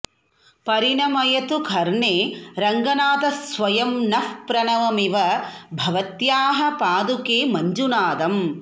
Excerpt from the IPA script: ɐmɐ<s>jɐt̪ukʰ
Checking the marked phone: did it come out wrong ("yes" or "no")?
yes